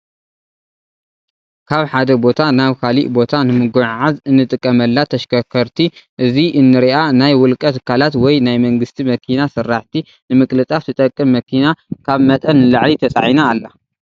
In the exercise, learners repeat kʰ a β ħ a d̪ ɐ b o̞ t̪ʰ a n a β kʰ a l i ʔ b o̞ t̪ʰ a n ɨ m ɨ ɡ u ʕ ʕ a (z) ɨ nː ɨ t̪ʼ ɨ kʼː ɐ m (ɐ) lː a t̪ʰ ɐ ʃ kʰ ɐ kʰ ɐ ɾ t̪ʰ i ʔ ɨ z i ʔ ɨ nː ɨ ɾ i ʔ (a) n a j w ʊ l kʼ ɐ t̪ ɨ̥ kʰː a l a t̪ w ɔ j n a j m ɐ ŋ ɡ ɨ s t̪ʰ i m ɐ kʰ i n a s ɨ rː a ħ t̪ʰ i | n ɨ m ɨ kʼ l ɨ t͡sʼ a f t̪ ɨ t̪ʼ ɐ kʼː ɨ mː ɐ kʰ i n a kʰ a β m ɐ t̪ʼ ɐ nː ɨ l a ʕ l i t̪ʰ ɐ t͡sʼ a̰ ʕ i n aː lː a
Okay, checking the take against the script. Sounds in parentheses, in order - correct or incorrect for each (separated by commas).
correct, correct, correct